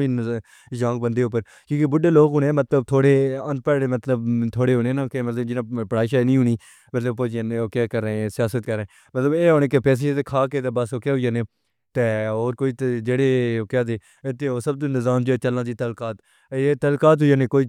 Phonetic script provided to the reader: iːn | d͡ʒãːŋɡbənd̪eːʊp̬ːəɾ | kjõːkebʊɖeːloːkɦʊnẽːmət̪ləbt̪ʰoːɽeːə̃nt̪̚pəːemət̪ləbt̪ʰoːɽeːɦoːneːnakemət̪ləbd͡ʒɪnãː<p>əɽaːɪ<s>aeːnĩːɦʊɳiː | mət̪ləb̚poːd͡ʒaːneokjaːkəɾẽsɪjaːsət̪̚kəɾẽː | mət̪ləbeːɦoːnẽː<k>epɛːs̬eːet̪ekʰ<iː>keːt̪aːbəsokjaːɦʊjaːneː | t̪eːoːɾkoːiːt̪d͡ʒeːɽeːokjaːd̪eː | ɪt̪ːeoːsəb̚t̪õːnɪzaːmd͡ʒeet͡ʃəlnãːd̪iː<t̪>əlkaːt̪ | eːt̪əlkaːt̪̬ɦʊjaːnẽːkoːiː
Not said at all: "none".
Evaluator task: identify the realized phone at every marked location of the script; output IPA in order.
p, ʃ, k, aː, t̪

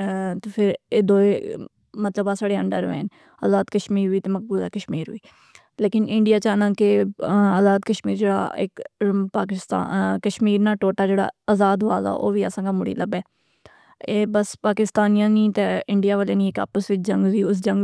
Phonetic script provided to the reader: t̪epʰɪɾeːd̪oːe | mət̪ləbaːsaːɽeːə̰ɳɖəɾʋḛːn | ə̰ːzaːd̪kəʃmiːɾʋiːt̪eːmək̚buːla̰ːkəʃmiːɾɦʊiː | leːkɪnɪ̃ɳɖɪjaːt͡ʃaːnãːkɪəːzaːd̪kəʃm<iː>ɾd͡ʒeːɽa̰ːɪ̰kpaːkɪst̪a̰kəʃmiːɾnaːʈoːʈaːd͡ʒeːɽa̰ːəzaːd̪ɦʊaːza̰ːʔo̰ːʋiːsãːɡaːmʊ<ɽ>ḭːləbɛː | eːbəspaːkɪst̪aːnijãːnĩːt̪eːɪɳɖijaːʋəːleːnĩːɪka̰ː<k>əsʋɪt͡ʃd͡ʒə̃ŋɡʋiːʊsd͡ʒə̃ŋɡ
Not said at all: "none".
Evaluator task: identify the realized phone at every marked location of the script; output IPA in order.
iː, ɽ, p

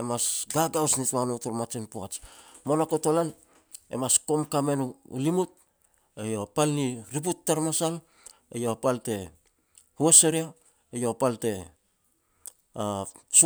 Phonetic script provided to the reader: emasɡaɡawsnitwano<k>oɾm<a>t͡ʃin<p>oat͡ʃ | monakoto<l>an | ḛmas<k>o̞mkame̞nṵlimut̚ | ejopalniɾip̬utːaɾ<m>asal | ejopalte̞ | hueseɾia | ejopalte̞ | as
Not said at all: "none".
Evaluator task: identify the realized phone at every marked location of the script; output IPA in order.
t, a, p, l, k, m

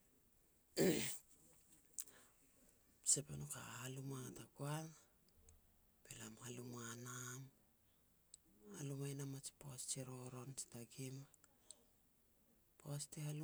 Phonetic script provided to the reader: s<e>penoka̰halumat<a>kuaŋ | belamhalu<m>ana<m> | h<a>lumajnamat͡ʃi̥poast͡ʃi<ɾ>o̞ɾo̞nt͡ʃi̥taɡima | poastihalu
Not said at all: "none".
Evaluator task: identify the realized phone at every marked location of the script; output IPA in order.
e, a, m, m, a, ɾ

